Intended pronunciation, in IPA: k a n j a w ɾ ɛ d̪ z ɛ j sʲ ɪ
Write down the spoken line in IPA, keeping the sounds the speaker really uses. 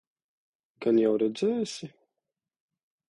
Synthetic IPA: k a n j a w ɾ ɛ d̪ z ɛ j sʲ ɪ

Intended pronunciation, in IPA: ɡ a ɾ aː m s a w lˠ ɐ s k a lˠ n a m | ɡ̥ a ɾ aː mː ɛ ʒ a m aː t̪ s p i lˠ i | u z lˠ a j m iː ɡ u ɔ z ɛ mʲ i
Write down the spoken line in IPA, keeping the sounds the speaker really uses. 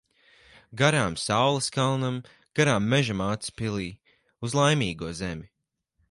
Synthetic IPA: ɡ a ɾ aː m s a w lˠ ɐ s k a lˠ n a m | ɡ̥ a ɾ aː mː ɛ ʒ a m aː t̪ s p i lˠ iː | u z lˠ a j m iː ɡ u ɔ z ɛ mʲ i

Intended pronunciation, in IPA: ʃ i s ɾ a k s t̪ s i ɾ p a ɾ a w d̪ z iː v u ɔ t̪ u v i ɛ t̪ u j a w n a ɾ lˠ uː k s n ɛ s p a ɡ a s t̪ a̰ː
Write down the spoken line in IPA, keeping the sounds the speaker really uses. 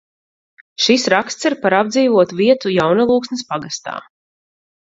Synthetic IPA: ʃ i s ɾ a k s t̪ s i ɾ p a ɾ a b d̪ z iː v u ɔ t̪ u v i ɛ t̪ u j a w n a lˠ uː k s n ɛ s p a ɡ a s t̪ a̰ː

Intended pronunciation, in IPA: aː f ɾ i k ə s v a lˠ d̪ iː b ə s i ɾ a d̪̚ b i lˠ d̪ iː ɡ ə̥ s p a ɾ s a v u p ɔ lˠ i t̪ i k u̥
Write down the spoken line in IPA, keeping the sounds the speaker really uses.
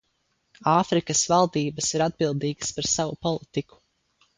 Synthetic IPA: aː f ɾ i k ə s v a lˠ d̪ iː b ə s i ɾ a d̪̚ b i lˠ d̪ iː ɡ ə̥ s p a ɾ s a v u p ɔ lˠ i t̪ i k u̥

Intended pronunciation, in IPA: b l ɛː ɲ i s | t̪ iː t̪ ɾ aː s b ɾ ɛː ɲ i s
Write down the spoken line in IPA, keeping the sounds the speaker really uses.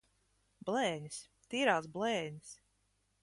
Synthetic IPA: b l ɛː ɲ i s | t̪ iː ɾ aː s b l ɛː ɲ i s

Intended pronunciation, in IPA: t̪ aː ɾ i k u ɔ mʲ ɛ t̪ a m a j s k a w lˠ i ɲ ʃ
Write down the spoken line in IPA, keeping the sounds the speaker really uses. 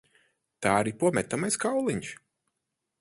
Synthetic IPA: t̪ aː ɾ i p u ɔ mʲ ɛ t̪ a m a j s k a w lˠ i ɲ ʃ

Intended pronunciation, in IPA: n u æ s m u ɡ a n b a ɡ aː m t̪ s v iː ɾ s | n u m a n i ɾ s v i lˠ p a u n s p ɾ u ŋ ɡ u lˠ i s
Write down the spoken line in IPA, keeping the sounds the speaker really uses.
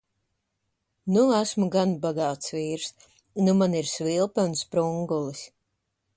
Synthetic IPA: n u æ s m u ɡ a n b a ɡ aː t̪ s v iː ɾ s | n u m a n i ɾ s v i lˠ p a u n s p ɾ u ŋ ɡ u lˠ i s

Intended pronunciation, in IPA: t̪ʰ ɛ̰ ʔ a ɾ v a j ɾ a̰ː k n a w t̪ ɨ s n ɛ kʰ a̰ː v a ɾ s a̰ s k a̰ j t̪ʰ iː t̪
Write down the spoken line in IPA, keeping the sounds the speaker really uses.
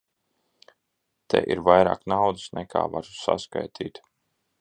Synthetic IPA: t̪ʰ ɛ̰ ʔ i ɾ v a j ɾ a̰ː k n a w d̪ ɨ s n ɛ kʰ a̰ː v a ɾ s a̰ s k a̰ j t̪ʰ iː t̪

